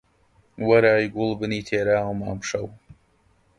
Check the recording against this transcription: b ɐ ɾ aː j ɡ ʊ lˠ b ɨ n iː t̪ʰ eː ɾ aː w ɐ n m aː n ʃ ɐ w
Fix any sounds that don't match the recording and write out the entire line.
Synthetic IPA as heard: w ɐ ɾ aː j ɡ ʊ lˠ b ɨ n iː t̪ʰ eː ɾ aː w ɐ m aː m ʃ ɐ w